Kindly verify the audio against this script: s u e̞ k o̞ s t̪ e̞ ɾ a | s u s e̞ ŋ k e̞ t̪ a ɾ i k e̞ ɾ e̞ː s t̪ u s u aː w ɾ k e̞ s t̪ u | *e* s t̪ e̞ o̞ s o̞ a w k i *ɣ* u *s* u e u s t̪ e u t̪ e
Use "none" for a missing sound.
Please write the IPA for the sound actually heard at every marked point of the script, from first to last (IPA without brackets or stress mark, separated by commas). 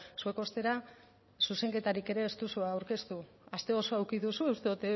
a, ð, s